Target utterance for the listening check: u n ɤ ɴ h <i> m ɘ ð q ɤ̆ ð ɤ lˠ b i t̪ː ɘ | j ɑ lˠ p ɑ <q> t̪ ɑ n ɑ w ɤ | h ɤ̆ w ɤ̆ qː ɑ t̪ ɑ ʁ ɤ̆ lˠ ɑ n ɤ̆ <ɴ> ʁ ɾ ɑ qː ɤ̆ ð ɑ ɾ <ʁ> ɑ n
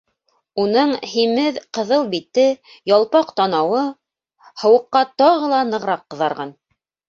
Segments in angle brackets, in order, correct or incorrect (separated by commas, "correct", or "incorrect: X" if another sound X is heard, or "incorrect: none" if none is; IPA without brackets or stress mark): correct, correct, incorrect: none, correct